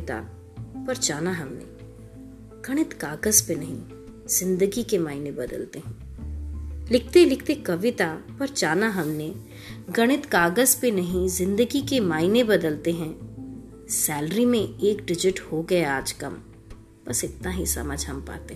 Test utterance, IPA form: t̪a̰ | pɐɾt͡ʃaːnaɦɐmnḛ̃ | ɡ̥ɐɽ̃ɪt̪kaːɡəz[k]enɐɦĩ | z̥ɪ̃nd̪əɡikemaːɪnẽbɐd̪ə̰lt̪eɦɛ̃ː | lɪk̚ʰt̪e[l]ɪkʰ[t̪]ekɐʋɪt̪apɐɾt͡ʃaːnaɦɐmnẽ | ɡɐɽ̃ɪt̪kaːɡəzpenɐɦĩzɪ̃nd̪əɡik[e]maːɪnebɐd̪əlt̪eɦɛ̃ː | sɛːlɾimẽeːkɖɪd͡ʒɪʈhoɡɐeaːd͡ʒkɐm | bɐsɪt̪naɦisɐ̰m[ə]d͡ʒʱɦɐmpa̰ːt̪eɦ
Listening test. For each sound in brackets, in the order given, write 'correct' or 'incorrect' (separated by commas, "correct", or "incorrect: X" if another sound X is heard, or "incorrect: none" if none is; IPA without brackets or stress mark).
incorrect: p, correct, correct, correct, correct